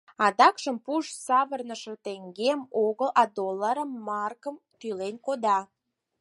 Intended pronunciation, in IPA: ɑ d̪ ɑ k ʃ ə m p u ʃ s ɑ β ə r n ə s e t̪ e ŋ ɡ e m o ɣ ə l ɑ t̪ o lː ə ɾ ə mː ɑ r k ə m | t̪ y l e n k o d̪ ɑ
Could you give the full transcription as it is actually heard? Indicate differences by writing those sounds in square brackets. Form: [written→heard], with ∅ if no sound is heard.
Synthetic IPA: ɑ d̪ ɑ k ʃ ə m p u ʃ s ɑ β ə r n ə [s→ʃ] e t̪ e ŋ ɡ e m o ɣ ə l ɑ [t̪→d̪] o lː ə ɾ ə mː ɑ r k ə m | t̪ y l e n k o d̪ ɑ